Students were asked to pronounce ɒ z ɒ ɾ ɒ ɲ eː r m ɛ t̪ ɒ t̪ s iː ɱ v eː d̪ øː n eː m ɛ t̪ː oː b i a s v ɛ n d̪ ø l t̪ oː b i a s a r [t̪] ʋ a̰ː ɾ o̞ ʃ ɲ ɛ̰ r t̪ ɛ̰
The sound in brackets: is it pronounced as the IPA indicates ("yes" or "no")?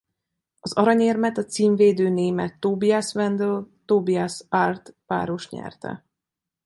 yes